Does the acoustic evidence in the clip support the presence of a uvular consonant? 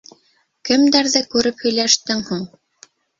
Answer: no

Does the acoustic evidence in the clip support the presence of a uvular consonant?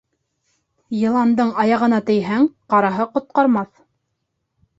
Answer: yes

